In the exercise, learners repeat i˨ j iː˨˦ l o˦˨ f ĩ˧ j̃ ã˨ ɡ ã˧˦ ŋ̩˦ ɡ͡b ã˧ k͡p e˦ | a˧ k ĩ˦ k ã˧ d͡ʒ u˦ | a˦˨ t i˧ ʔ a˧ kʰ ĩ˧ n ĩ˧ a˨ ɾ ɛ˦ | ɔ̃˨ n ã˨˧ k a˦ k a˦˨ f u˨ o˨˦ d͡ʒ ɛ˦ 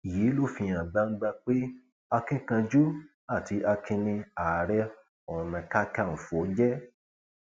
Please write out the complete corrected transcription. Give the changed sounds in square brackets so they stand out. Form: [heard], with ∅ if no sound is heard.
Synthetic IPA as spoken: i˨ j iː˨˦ l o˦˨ f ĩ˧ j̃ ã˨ [ɡ͡b] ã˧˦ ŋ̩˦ ɡ͡b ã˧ k͡p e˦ | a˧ k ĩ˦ k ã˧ d͡ʒ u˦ | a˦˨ t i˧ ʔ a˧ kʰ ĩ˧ n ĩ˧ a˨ ɾ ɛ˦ | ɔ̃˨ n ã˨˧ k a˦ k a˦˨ f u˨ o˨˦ d͡ʒ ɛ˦